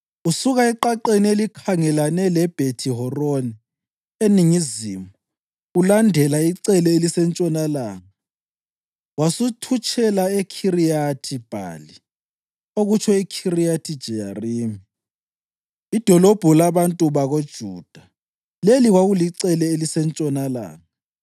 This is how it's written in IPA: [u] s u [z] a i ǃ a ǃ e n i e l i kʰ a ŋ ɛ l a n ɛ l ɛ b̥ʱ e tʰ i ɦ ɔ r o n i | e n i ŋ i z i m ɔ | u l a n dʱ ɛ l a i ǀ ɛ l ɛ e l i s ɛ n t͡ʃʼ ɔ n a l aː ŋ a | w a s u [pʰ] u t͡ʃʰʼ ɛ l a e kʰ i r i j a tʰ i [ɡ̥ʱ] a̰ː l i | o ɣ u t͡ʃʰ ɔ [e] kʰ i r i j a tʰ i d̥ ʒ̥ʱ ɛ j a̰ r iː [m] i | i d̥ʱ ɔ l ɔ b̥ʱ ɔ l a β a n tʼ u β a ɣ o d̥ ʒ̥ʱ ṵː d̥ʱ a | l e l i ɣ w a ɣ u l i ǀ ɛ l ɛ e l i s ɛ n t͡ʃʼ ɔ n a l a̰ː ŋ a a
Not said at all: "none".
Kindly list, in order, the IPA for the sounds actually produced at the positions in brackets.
u, ɣ, tʰ, b̥ʱ, i, m

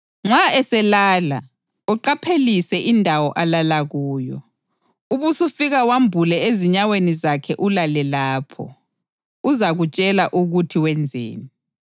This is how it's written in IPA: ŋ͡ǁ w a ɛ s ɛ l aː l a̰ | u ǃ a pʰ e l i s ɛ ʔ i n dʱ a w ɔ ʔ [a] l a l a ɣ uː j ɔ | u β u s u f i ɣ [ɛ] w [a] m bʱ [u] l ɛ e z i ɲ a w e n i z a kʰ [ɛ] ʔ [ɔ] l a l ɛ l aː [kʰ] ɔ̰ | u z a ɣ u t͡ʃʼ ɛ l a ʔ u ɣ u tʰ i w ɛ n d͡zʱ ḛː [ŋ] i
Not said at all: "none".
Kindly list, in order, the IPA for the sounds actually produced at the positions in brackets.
a, a, a, u, ɛ, u, pʰ, n

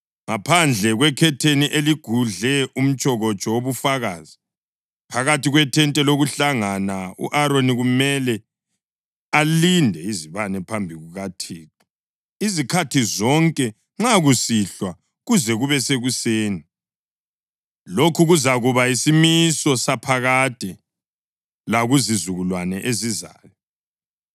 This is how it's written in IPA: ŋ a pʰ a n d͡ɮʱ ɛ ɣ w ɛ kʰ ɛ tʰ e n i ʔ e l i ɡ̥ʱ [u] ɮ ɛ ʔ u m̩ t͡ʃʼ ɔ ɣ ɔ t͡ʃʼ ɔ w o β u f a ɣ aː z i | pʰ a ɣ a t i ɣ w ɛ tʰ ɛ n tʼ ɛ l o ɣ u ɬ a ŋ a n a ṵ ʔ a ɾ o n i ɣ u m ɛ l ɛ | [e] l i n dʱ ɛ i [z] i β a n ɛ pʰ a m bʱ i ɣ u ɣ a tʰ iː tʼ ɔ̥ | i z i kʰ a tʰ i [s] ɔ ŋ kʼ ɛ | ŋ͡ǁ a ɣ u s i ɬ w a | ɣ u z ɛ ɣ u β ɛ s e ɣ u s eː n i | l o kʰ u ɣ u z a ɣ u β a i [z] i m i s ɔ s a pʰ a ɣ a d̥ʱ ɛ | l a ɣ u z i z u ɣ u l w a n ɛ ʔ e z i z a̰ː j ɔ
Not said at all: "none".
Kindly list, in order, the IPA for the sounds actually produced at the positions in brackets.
u, a, z, z, s

